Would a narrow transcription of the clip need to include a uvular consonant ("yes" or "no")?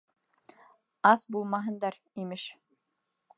no